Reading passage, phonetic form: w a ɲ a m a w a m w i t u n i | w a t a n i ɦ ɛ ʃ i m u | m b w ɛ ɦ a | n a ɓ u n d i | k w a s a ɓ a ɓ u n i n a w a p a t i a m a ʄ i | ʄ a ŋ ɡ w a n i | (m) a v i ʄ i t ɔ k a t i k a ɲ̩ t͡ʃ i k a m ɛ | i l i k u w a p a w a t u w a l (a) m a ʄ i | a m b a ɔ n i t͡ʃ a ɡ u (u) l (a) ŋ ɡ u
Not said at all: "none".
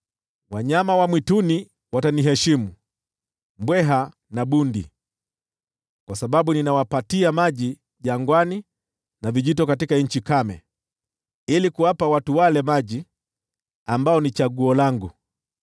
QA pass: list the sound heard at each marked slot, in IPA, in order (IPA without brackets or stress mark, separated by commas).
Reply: n, ɛ, ɔ, a